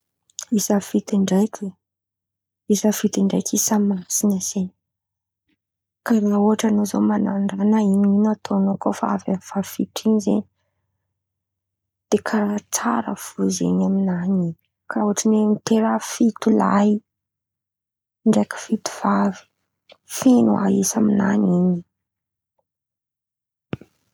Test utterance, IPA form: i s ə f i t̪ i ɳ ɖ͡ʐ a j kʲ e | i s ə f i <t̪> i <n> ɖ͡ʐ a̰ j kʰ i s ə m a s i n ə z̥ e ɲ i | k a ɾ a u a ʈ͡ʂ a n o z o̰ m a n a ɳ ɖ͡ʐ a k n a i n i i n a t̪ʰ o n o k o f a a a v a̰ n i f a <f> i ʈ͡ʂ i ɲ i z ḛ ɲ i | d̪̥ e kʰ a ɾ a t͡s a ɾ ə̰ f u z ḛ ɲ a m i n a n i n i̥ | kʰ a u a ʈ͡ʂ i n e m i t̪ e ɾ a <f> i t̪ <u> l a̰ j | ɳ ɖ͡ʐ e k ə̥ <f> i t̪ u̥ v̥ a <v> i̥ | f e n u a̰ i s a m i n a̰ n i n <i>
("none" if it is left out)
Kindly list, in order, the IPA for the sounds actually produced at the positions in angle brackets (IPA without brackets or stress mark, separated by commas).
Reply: t̪, ɳ, f, f, u, f, v, i